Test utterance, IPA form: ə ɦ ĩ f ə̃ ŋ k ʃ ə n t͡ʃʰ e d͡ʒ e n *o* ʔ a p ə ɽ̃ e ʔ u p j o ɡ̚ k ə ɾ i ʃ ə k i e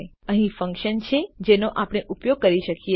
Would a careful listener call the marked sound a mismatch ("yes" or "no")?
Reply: no